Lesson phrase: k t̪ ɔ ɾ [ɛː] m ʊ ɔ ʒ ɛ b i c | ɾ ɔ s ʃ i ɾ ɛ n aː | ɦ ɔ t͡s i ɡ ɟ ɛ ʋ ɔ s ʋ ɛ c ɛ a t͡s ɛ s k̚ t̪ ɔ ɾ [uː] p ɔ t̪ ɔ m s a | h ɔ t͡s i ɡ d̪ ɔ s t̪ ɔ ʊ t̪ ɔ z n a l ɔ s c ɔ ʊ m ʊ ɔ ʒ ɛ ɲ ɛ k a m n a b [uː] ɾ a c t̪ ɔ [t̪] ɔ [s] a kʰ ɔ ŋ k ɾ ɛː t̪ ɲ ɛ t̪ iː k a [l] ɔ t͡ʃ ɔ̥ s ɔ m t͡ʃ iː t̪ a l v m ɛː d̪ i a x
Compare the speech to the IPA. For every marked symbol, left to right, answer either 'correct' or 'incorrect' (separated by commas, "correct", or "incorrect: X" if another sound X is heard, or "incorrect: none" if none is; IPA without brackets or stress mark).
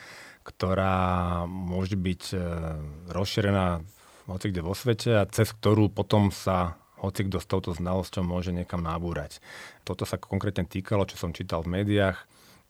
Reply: incorrect: aː, correct, correct, correct, correct, correct